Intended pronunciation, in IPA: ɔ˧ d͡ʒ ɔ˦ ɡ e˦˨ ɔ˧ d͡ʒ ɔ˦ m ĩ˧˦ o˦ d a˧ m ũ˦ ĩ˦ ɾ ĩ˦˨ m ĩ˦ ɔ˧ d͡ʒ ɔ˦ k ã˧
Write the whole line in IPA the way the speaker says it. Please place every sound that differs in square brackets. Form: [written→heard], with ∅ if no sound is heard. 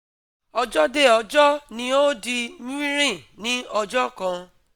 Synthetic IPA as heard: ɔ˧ d͡ʒ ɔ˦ [ɡ→d] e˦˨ ɔ˧ d͡ʒ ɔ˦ [m→n] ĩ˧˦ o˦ d [a˧→i˧] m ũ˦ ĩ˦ ɾ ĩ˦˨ [m→n] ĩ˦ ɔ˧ d͡ʒ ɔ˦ k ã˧